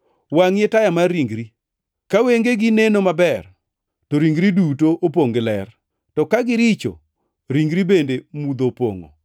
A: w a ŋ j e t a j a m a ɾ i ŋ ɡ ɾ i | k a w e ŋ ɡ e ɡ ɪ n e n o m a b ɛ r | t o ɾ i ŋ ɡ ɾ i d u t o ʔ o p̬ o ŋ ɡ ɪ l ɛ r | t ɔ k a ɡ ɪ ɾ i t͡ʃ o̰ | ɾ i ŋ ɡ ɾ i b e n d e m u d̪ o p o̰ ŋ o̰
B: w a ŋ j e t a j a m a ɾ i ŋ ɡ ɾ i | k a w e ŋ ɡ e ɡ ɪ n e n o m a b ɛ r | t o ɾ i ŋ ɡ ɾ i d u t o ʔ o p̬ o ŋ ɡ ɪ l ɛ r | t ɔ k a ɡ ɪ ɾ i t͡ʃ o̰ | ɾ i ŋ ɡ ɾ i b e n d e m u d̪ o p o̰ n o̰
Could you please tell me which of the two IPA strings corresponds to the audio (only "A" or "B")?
A